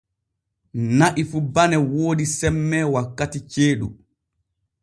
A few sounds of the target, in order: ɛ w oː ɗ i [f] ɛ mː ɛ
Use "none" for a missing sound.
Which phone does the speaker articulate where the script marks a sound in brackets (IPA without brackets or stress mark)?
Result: s